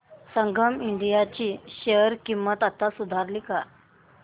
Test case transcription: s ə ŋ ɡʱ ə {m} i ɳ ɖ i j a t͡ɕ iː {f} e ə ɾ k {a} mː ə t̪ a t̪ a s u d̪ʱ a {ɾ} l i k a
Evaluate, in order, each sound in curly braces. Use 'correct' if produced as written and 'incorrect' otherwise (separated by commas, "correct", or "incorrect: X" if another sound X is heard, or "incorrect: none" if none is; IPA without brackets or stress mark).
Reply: correct, incorrect: ɕ, incorrect: i, correct